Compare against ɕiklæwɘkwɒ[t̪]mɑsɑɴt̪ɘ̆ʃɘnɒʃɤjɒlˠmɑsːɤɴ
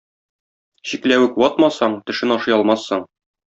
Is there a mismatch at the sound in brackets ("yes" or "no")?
no